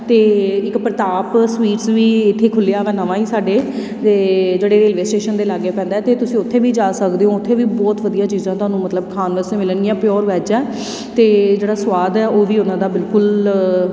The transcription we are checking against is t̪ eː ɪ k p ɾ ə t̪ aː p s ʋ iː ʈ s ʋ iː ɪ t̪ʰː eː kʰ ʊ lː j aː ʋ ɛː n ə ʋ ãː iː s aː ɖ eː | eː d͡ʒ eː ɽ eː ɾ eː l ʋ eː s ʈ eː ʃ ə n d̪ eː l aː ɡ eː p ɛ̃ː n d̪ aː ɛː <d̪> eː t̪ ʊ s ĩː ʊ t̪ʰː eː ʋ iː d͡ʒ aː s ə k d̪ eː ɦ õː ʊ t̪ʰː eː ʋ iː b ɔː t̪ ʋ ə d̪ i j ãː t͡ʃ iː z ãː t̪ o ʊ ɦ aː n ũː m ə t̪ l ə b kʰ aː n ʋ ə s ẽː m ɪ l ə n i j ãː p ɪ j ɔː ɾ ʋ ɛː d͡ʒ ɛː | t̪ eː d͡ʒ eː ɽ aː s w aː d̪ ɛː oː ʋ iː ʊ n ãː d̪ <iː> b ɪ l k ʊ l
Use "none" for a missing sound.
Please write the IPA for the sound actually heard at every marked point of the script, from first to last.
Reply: t̪, aː

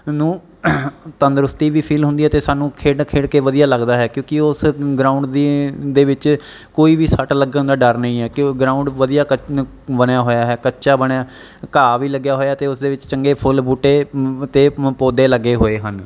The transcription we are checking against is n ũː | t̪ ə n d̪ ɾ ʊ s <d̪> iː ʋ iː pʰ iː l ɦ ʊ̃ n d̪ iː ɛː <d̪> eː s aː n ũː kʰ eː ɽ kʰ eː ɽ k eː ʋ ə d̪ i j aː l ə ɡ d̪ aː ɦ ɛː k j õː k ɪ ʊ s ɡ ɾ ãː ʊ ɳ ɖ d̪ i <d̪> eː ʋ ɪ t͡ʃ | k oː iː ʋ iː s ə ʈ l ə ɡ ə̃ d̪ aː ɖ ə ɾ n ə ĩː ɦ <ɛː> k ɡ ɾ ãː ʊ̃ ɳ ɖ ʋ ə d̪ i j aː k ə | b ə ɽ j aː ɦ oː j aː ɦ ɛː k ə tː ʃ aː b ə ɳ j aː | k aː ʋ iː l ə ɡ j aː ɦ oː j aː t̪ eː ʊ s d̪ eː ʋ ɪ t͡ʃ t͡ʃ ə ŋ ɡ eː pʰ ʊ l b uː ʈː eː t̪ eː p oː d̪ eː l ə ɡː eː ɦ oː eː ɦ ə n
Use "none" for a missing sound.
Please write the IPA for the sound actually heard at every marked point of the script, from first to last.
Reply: t̪, t̪, d̪, ɛː

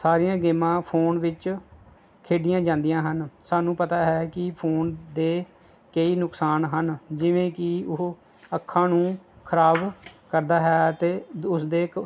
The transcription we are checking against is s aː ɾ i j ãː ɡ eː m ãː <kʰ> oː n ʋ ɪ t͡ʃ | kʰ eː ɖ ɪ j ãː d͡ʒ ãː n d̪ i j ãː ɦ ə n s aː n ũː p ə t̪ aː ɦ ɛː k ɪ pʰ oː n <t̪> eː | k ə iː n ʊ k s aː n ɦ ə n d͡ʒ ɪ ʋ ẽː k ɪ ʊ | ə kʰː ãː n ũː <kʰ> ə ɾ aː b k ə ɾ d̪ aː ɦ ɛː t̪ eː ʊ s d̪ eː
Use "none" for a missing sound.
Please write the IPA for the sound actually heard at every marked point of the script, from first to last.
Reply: pʰ, d̪, kʰ

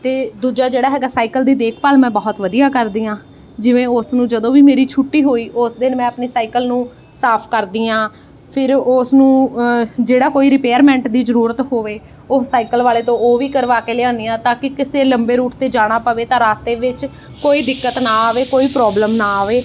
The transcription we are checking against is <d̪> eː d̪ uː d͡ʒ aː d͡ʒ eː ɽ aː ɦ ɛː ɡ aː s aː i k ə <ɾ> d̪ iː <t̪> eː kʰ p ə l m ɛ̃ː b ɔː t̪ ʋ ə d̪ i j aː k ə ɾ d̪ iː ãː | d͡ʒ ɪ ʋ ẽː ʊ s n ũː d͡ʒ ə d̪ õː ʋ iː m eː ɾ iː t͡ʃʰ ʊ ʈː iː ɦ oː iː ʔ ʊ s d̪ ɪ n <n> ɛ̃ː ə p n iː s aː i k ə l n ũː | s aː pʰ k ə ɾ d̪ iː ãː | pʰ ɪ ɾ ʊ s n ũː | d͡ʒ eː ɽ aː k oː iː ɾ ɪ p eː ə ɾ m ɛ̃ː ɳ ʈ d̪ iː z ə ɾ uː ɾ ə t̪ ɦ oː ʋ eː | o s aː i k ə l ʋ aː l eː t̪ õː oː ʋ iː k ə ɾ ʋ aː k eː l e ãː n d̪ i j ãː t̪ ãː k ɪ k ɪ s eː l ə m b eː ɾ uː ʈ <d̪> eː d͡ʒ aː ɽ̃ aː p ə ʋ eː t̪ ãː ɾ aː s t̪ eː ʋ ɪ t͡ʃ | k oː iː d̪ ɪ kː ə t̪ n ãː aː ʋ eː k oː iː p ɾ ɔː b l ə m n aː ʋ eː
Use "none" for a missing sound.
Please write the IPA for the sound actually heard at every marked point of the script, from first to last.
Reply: t̪, l, d̪, m, t̪

